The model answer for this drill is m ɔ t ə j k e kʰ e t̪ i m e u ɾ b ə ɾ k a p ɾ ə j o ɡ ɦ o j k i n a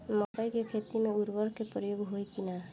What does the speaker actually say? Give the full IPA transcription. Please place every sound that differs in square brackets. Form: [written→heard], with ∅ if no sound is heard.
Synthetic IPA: m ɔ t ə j k e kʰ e t̪ i m e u ɾ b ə ɾ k [a→e] p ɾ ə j o ɡ ɦ o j k i n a